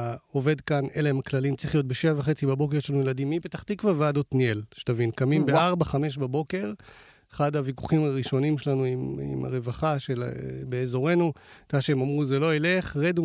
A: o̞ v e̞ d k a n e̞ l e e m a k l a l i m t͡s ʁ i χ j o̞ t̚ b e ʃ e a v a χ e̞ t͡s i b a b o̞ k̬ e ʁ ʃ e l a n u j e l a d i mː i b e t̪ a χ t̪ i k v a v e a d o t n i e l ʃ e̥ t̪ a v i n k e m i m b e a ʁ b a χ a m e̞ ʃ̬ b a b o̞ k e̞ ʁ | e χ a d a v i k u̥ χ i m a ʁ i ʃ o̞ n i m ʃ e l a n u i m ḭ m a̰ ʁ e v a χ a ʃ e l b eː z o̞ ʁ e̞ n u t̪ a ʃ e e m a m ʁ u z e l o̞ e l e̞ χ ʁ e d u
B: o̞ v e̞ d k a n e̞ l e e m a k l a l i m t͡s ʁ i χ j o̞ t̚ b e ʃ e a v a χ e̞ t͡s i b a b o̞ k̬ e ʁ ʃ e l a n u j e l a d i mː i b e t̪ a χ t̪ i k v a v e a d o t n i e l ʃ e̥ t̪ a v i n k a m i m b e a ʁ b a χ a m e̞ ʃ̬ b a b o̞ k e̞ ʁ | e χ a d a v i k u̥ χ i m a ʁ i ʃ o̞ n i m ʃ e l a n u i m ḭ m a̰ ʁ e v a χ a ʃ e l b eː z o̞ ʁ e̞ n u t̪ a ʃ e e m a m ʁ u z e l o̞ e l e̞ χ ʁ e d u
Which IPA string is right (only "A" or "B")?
B